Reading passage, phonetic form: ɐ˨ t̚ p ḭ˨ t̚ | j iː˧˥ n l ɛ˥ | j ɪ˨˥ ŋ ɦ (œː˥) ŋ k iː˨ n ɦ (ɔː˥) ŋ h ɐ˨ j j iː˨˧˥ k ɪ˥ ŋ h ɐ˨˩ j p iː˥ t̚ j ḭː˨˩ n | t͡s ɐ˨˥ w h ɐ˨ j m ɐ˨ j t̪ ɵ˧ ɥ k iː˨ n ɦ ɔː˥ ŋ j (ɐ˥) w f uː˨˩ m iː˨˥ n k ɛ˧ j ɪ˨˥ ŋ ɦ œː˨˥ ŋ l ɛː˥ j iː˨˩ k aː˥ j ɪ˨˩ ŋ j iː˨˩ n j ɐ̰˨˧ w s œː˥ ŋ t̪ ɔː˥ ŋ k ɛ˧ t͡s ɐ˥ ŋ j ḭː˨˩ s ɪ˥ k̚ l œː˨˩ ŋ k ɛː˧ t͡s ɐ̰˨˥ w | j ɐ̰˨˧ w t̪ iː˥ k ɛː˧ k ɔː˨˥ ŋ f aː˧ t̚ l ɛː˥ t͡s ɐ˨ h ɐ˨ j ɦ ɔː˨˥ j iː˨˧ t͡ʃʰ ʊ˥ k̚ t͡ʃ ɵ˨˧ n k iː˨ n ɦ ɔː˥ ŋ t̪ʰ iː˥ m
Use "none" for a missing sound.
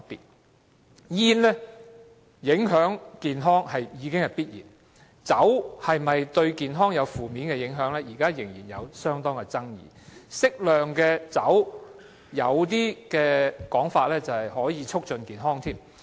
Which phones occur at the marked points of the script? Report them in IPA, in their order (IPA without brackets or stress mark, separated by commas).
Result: œː˨˥, ɔː˥, ɐ˨˧